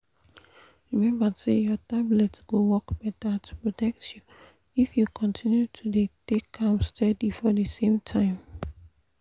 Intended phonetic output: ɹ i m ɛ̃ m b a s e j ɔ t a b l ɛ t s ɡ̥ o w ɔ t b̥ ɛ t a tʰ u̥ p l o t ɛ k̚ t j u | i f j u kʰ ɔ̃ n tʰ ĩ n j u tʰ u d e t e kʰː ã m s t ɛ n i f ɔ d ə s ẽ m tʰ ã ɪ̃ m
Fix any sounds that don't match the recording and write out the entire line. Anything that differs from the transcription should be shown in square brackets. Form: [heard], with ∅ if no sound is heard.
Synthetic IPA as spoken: ɹ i m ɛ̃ m b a s e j ɔ t a b l ɛ t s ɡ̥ o w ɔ [k] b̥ ɛ t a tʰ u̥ p [ɹ] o t ɛ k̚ t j u | i f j u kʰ ɔ̃ n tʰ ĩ n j u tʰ u d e t e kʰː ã m s t ɛ [d] i f ɔ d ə s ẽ m tʰ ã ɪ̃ m